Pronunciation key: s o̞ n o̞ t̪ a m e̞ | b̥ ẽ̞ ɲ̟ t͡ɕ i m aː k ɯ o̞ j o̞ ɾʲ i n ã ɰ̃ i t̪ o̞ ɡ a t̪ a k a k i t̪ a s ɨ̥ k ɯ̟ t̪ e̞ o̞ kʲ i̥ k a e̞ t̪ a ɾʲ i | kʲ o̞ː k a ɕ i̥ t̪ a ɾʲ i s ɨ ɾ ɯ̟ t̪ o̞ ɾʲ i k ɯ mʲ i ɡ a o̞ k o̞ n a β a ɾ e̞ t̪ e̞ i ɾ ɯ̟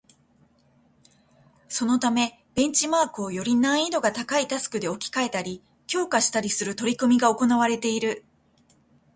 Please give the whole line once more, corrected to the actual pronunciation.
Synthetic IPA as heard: s o̞ n o̞ t̪ a m e̞ | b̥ ẽ̞ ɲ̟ t͡ɕ i m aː k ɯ o̞ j o̞ ɾʲ i n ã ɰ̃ i d̪ o̞ ɡ a t̪ a k a i t̪ a s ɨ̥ k ɯ̟ d̪ e̞ o̞ kʲ i̥ k a e̞ t̪ a ɾʲ i | kʲ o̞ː k a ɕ i̥ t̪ a ɾʲ i s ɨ ɾ ɯ̟ t̪ o̞ ɾʲ i k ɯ mʲ i ɡ a o̞ k o̞ n a β a ɾ e̞ t̪ e̞ i ɾ ɯ̟